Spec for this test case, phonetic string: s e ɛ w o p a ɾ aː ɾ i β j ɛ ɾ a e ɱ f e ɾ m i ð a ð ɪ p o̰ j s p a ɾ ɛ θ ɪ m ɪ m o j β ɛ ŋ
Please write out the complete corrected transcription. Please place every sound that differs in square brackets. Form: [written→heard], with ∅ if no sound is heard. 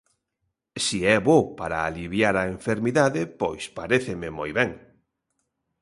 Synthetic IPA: s [e→i] ɛ [w→β] o p a ɾ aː [ɾ→l] i β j [ɛ→a] ɾ a e ɱ f e ɾ m i ð a ð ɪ p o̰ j s p a ɾ [ɛ→e] θ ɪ m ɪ m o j β ɛ ŋ